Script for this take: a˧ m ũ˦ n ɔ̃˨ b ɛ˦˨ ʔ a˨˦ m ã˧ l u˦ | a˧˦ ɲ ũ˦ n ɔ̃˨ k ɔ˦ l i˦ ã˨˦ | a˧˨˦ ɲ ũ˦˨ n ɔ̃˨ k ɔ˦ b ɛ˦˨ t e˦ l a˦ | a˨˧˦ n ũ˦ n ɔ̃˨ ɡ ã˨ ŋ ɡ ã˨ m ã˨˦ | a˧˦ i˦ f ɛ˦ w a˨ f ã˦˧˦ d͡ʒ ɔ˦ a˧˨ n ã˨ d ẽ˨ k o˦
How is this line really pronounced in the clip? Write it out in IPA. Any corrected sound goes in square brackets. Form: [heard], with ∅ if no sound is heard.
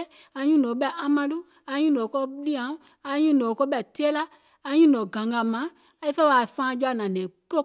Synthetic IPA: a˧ [ɲ] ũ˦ n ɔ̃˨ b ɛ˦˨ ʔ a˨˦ m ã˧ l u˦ | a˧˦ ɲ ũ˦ n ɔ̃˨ k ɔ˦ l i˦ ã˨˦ | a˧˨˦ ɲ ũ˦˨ n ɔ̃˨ k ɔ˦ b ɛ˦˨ t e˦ l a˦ | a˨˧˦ [ɲ] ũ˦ n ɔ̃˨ ɡ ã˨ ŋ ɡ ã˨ m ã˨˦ | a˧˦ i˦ f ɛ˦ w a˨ f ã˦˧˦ d͡ʒ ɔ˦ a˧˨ n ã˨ [n] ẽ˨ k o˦